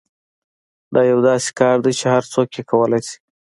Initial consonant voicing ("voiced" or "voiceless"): voiced